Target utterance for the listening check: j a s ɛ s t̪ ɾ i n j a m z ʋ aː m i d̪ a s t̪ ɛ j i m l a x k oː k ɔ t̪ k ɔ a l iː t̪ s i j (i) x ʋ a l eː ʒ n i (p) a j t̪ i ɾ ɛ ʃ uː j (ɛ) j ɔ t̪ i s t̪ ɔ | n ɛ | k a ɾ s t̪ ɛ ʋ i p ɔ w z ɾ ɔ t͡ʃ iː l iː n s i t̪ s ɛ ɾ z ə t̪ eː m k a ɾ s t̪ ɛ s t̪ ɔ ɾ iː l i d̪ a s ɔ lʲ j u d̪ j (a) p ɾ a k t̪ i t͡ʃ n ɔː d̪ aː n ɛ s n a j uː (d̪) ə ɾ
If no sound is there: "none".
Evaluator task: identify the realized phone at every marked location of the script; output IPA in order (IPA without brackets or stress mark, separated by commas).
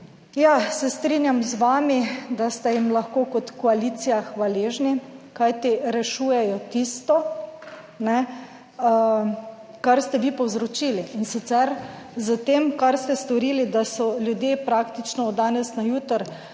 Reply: a, k, ɛ, e, t̪